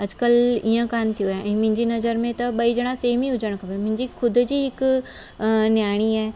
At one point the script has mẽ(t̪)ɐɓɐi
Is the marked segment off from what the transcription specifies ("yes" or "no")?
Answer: no